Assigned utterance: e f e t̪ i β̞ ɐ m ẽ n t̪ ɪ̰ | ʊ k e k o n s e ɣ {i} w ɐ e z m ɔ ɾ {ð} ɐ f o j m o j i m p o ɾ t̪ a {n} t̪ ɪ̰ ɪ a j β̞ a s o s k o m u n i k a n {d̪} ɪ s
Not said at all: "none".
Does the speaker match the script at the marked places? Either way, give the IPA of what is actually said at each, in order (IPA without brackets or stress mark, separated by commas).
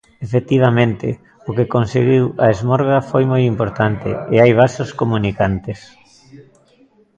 i, ɣ, n, t̪